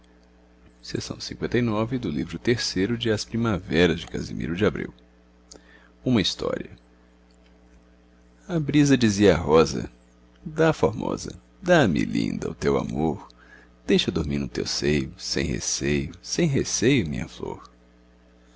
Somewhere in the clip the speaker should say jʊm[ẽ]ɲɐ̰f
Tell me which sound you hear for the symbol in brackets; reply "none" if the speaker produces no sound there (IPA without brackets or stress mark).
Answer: ĩ